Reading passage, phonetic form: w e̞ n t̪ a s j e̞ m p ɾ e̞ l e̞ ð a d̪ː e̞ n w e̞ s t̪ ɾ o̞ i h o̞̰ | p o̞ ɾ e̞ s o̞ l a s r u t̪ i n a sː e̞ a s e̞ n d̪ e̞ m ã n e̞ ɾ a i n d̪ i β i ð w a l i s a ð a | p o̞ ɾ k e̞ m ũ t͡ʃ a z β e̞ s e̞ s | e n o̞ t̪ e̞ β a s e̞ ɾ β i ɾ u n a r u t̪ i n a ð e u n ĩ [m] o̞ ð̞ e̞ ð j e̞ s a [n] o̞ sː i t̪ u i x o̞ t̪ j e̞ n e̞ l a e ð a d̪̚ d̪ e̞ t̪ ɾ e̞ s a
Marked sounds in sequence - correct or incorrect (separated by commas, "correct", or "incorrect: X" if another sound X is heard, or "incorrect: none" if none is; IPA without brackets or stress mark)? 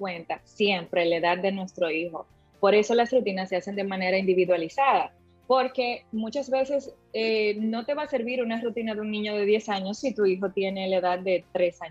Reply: incorrect: ɲ, incorrect: ɲ